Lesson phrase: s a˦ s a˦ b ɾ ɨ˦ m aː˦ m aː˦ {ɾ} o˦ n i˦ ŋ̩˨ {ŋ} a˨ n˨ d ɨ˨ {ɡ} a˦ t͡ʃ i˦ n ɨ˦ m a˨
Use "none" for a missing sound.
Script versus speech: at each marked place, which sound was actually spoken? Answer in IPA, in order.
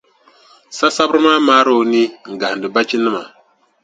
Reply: ɾ, ɡ, b

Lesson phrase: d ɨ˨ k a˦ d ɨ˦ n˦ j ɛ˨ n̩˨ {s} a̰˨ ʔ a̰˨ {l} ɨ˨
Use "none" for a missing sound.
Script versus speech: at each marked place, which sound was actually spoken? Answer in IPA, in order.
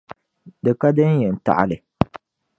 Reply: t, l

